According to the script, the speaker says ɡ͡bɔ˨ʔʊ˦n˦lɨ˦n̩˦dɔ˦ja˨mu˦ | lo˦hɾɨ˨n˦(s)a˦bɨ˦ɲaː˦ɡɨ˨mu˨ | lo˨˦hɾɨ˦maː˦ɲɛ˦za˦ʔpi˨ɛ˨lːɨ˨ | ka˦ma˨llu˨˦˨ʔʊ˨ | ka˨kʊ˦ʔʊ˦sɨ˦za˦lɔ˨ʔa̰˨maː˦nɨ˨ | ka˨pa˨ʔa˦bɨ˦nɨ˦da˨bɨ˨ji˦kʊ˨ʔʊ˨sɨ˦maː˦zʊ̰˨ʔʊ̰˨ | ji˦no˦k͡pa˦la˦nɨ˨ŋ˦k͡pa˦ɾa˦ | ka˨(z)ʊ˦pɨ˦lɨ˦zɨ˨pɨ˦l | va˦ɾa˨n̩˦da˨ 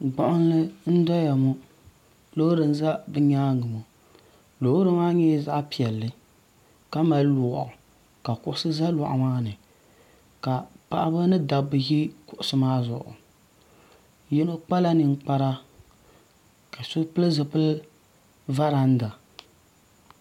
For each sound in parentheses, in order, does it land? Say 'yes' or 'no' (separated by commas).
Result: no, no